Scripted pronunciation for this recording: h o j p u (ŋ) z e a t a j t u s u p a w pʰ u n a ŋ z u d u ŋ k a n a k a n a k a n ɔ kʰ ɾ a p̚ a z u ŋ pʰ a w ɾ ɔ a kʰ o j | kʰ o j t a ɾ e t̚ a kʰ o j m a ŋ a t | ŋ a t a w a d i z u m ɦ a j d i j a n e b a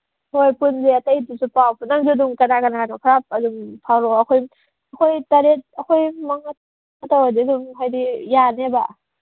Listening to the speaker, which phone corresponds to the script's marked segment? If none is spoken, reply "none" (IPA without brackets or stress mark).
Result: n